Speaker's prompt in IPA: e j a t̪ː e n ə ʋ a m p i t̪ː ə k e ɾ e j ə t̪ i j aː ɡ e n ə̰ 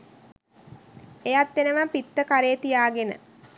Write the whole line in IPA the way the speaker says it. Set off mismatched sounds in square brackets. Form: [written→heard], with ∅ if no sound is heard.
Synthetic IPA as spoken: e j a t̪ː e n ə ʋ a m p i t̪ː ə k [e→a] ɾ e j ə t̪ i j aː ɡ e n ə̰